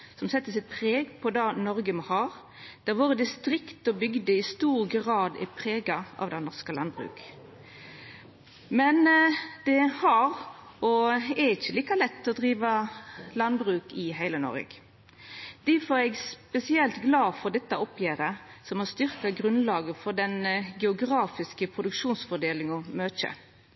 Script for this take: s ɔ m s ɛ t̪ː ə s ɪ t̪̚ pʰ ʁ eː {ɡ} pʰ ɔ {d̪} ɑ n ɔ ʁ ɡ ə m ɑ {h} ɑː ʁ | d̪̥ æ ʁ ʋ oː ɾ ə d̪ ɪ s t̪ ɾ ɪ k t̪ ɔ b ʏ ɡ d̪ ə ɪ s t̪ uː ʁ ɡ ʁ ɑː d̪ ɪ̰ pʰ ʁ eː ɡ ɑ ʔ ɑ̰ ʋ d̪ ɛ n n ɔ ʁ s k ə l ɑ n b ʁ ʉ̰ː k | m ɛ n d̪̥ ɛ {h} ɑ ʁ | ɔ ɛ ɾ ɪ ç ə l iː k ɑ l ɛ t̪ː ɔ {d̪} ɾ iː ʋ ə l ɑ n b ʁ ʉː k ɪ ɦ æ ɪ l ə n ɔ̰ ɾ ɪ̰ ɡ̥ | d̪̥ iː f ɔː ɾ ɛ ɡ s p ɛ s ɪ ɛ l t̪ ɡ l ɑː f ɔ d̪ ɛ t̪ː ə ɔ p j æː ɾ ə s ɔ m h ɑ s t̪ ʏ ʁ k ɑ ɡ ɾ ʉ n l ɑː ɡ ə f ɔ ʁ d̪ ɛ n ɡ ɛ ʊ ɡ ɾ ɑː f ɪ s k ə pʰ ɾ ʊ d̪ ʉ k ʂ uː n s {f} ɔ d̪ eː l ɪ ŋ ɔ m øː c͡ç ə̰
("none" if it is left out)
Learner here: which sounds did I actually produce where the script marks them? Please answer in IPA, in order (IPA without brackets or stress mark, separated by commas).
ɡ, d̪, h, h, d̪, f